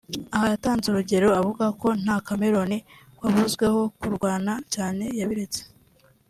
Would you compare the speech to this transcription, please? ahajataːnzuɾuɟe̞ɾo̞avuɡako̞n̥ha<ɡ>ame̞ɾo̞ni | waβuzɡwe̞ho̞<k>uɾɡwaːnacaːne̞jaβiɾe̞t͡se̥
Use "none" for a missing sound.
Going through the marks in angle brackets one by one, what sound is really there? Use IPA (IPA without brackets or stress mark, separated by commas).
k, k